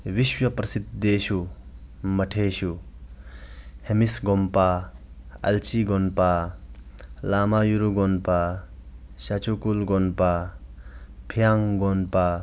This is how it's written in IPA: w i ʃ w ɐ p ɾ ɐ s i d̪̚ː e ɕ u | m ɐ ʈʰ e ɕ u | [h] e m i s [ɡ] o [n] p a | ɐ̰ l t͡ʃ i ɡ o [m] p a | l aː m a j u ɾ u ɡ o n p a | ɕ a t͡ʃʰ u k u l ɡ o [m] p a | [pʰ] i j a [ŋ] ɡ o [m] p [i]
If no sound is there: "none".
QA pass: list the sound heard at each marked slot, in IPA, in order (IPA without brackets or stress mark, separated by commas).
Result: h, ɡ, m, n, n, pʰ, ŋ, n, a